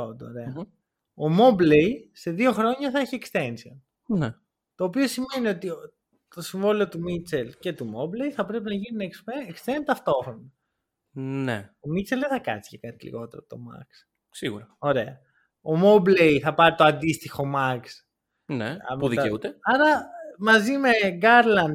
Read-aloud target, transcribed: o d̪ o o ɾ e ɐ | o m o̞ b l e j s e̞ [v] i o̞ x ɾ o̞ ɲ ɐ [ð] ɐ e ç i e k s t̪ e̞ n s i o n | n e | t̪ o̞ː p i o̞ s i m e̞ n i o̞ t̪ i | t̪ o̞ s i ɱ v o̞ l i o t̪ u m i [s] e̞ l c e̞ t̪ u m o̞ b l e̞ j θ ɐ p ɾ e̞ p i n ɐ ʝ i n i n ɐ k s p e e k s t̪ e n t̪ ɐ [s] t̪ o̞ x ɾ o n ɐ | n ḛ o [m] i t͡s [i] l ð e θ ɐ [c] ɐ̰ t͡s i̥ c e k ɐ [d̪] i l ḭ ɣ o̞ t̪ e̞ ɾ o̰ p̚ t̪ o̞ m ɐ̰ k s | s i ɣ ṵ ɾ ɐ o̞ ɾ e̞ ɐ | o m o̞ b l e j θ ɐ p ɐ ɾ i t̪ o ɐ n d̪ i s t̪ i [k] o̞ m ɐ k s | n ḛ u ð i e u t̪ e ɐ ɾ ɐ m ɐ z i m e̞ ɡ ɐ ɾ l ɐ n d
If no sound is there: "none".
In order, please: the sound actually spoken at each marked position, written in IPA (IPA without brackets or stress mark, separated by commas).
ð, θ, t͡s, f, m, e, k, t̪, x